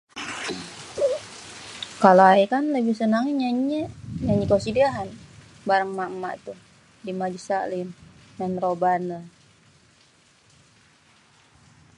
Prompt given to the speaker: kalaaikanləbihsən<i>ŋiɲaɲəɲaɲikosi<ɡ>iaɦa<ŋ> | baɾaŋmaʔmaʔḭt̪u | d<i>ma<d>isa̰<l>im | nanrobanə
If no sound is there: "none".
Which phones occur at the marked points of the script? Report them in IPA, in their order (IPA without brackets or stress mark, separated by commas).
a, d, n, i, d͡ʒ, l